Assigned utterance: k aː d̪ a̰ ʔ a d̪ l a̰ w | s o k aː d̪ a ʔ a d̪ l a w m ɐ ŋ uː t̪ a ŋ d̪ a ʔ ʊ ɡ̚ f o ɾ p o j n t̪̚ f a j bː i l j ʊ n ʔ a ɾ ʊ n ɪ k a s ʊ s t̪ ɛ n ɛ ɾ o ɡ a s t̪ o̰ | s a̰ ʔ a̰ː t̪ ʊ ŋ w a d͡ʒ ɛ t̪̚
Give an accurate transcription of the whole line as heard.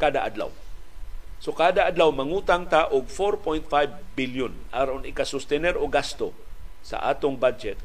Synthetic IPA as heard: k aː d̪ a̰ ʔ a d̪ l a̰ w | s o k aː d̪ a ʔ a d̪ l a w m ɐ ŋ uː t̪ a ŋ t̪ a ʔ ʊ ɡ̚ f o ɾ p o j n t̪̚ f a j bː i l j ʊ n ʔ a ɾ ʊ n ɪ k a s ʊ s t̪ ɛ n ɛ ɾ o ɡ a s t̪ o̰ | s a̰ ʔ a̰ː t̪ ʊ ŋ b a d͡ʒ ɛ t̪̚